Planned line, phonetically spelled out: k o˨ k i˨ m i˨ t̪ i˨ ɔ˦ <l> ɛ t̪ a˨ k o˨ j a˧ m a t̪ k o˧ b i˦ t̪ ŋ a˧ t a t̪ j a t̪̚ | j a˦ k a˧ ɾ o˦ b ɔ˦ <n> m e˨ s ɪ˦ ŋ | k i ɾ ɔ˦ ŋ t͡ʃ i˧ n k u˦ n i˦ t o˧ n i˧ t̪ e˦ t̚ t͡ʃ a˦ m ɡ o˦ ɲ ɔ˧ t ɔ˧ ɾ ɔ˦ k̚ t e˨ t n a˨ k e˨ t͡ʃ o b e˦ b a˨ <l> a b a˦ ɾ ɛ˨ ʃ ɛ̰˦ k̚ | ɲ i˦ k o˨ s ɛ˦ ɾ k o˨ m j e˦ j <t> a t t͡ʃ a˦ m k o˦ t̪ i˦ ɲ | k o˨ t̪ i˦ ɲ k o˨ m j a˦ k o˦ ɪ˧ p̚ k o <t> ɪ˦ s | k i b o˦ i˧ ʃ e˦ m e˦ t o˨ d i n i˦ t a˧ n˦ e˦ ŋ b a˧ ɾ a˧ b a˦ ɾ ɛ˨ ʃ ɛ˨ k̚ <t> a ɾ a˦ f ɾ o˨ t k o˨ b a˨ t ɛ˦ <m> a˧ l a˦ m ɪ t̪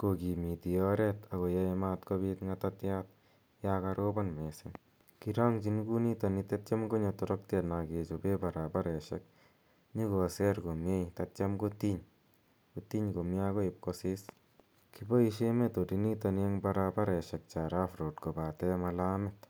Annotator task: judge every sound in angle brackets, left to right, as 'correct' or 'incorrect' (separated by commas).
incorrect, correct, incorrect, correct, incorrect, incorrect, correct